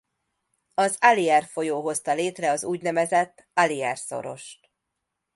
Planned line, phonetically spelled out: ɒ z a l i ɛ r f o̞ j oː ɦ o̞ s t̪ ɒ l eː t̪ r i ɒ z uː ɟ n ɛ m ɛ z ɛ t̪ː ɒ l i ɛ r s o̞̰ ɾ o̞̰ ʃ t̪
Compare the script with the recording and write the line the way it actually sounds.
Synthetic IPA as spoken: ɒ z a l i ɛ r f o̞ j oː ɦ o̞ s t̪ ɒ l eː t̪ r ɛ ɒ z uː ɟ n ɛ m ɛ z ɛ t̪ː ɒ l i ɛ r s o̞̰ ɾ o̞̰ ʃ t̪

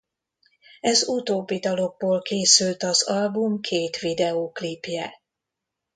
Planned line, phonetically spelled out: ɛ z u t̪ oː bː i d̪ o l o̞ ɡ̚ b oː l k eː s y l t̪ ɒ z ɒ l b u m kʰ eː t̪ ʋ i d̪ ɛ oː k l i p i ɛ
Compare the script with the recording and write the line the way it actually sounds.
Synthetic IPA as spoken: ɛ z u t̪ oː bː i d̪ ɒ l o̞ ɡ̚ b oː l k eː s y l t̪ ɒ z ɒ l b u m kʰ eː t̪ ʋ i d̪ ɛ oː k l i p j ɛ

